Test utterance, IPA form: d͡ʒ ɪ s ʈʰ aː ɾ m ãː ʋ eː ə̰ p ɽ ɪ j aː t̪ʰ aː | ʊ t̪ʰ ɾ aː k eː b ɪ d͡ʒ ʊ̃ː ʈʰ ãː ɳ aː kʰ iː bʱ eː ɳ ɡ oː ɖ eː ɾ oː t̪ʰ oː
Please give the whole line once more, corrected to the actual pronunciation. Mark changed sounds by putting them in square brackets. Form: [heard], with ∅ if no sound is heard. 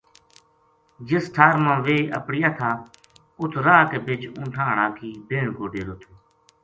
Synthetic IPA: d͡ʒ ɪ s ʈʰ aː ɾ m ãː ʋ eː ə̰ p ɽ ɪ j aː t̪ʰ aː | ʊ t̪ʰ ɾ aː k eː b ɪ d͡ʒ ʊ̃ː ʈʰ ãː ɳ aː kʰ iː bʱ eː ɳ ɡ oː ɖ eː ɾ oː t̪ʰ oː